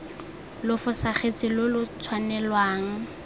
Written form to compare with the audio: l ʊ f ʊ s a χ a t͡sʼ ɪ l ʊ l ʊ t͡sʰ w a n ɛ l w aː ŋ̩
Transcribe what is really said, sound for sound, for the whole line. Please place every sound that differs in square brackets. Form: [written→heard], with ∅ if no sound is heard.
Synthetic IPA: l ʊ f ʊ s a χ [a→e] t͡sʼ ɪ l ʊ l ʊ t͡sʰ w a n ɛ l w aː ŋ̩

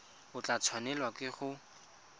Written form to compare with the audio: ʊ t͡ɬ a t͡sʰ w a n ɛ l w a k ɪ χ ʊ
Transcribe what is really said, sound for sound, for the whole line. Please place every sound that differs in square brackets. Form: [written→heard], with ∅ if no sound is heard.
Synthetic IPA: ʊ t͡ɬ a t͡sʰ w a n ɛ l w a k ɪ χ ʊ

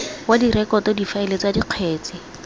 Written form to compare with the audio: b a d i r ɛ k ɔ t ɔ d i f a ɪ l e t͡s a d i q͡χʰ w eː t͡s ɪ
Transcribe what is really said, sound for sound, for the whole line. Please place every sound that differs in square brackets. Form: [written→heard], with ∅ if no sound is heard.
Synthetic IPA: [b→w] a d i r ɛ k ɔ t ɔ d i f a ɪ l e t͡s a d i q͡χʰ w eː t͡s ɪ

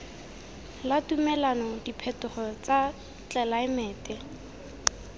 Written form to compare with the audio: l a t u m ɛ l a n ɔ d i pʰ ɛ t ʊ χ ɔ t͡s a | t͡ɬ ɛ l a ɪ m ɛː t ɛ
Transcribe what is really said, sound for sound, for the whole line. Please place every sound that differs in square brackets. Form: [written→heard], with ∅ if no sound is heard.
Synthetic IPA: l a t u m ɛ l a n ɔ d i pʰ ɛ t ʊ χ ɔ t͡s a | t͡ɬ ɛ l a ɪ m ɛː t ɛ

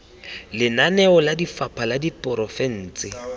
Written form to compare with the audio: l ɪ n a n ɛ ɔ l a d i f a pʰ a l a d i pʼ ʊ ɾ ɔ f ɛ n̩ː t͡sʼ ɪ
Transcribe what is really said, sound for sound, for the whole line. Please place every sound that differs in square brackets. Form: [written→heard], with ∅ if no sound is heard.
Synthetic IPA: l ɪ n a n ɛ ɔ l a d i f a pʰ a l a d i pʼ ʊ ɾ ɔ f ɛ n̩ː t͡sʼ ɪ

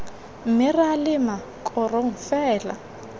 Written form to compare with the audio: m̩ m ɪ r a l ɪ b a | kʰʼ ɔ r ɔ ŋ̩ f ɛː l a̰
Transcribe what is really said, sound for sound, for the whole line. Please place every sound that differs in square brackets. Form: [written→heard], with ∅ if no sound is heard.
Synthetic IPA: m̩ m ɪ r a l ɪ [b→m] a | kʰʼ ɔ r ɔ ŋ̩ f ɛː l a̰

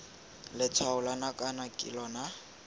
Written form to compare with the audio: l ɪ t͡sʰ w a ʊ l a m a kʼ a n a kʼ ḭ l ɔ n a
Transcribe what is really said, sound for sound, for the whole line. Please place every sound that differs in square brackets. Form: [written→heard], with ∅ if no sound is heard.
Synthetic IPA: l ɪ t͡sʰ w a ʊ l a [m→n] a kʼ a n a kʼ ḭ l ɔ n a

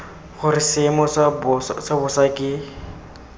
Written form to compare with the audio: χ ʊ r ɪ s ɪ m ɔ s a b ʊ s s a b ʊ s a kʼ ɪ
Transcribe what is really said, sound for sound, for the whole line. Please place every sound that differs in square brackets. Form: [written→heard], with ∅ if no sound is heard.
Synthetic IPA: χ ʊ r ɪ s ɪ m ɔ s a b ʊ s s a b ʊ s a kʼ ɪ

